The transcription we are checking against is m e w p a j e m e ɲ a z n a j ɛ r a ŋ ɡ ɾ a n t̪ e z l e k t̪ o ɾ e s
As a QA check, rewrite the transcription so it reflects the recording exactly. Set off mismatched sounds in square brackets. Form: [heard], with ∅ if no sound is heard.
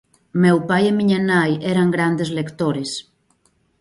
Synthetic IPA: m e w p a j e m [i] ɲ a [∅] n a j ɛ [ɾ] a ŋ ɡ ɾ a n [d̪] e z l e k t̪ o ɾ e s